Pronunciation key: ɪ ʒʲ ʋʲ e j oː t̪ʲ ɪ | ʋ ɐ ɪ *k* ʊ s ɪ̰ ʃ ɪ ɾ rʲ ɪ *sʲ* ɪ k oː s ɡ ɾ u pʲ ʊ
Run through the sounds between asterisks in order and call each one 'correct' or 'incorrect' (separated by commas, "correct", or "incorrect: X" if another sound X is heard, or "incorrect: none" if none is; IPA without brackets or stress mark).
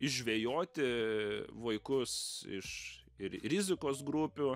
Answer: correct, incorrect: zʲ